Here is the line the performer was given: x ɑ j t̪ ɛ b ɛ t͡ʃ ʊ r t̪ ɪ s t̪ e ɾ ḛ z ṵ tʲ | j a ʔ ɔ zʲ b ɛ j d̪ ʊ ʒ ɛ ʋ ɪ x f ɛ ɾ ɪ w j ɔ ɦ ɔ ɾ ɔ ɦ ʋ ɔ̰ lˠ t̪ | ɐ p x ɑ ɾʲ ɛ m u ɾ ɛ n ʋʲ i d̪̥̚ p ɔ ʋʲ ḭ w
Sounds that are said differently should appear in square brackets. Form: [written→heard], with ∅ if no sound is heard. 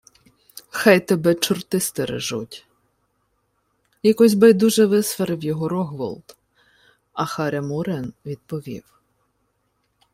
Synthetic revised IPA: x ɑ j t̪ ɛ b ɛ t͡ʃ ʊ r t̪ ɪ s t̪ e ɾ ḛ [z→ʒ] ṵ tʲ | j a [ʔ→k] ɔ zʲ b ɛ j d̪ [ʊ→u] ʒ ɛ ʋ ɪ [x→s] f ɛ ɾ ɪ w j ɔ ɦ ɔ ɾ ɔ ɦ ʋ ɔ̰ lˠ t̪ | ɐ [p→∅] x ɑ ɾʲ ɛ m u ɾ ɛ n ʋʲ i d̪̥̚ p ɔ ʋʲ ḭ w